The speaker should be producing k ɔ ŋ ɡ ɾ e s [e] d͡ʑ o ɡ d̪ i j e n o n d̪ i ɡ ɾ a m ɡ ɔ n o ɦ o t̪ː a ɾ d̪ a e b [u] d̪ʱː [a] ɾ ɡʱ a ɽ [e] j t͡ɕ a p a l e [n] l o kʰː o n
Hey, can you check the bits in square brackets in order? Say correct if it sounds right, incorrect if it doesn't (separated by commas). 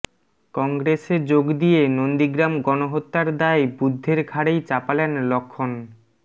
correct, correct, incorrect, correct, correct